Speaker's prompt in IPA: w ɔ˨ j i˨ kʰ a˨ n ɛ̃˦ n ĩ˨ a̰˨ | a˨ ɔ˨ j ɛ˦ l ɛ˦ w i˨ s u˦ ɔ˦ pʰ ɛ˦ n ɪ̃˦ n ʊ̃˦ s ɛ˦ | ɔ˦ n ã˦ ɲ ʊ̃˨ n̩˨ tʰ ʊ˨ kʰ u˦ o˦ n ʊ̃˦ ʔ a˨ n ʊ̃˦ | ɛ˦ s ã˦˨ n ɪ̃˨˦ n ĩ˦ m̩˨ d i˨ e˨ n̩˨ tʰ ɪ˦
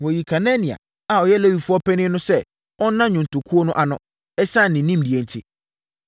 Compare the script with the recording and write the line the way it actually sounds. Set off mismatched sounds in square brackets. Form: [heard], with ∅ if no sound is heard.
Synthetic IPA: w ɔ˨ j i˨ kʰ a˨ n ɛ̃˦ n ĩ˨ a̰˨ | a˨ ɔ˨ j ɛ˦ l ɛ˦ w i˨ [f] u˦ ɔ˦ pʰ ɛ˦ n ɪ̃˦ n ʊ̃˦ s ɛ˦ | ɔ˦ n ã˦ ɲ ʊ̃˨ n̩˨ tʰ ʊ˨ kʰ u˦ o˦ n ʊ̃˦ ʔ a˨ n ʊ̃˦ | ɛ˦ s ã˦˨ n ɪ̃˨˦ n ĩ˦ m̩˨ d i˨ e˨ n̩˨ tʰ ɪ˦